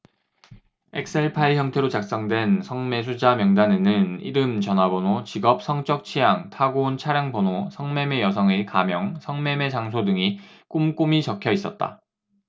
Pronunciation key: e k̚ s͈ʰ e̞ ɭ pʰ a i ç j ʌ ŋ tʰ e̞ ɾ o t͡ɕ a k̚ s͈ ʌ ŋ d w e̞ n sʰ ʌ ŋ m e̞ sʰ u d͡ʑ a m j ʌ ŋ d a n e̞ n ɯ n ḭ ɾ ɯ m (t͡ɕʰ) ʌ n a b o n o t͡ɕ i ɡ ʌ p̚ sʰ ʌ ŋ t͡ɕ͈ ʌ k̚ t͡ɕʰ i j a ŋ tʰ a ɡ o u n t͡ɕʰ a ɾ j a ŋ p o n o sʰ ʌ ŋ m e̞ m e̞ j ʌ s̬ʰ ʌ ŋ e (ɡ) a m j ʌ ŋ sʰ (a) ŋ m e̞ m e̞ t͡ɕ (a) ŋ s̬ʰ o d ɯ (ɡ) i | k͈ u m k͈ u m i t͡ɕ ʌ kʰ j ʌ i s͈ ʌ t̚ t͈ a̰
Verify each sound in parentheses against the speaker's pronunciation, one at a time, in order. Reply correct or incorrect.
incorrect, incorrect, incorrect, correct, incorrect

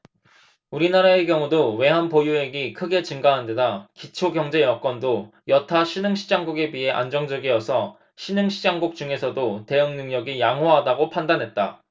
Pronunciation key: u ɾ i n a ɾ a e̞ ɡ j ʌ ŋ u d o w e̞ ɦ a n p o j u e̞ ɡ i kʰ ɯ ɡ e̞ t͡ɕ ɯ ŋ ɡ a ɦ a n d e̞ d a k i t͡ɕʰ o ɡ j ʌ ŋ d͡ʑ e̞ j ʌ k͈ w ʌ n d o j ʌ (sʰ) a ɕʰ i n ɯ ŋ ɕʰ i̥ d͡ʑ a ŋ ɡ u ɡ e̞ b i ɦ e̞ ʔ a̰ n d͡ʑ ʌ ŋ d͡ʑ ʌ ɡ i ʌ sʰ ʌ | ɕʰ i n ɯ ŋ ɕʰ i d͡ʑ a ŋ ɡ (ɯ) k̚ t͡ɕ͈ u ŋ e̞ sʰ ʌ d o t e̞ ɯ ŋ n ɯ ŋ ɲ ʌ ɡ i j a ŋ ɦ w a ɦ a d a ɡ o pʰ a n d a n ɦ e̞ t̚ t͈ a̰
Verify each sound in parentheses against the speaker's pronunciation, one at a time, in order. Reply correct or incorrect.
incorrect, incorrect

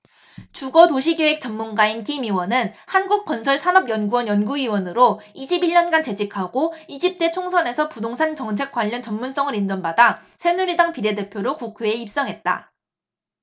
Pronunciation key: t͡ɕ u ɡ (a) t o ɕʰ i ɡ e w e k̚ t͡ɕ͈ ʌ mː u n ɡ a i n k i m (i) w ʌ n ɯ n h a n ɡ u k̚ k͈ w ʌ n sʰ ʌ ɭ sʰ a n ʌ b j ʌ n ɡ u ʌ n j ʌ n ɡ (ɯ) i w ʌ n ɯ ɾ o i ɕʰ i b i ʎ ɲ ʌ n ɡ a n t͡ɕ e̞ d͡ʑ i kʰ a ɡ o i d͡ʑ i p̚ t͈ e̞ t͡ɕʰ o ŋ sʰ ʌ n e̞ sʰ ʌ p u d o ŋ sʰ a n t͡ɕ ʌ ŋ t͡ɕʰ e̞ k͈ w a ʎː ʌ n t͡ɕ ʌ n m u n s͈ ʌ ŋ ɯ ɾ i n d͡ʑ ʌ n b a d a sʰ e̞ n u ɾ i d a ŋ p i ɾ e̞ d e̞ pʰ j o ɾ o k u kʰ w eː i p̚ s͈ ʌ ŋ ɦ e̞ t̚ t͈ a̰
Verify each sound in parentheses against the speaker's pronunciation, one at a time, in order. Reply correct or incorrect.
incorrect, correct, incorrect

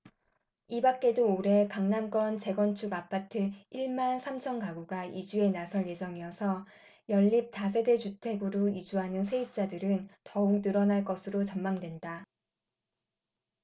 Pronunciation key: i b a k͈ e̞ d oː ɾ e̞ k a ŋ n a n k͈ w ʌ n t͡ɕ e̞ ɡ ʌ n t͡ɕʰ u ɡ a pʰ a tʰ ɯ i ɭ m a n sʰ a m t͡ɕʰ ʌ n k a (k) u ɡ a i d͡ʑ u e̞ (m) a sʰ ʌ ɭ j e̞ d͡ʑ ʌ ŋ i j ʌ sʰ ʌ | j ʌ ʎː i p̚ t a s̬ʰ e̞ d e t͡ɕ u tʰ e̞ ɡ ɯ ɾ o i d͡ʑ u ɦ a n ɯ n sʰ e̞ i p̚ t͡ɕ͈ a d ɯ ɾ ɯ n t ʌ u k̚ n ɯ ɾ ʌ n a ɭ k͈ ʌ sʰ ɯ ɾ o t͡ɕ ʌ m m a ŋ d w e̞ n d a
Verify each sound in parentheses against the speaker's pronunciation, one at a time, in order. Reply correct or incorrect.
incorrect, incorrect

